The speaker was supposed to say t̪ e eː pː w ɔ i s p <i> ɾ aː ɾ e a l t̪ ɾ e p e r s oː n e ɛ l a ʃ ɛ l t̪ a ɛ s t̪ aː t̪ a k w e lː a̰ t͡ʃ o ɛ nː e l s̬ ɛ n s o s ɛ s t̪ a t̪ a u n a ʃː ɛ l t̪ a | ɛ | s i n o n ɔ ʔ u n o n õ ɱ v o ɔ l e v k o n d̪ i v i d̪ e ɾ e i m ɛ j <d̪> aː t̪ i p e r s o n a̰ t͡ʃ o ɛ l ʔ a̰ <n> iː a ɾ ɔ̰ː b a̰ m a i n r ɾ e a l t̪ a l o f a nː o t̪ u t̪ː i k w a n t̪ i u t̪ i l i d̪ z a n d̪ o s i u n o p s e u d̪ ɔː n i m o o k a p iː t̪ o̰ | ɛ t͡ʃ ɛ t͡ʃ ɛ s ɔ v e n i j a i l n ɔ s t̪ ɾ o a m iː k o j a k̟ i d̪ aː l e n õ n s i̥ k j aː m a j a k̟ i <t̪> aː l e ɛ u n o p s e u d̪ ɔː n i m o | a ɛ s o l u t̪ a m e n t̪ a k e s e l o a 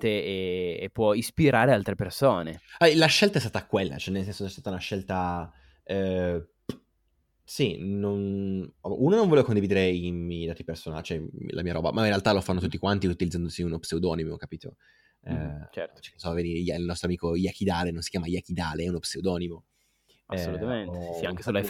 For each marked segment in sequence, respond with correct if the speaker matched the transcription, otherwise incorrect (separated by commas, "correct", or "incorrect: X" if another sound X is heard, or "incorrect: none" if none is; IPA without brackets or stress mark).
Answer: correct, correct, incorrect: m, incorrect: d̪